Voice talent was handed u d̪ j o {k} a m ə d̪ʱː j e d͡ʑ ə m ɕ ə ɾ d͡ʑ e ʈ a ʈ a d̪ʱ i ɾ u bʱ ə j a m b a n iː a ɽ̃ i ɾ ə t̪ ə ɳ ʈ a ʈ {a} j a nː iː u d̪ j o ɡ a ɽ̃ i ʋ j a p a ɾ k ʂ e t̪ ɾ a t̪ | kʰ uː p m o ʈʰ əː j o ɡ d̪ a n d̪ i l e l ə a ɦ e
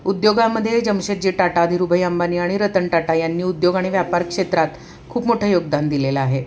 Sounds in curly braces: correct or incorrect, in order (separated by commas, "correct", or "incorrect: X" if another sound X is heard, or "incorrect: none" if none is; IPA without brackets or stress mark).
incorrect: ɡ, correct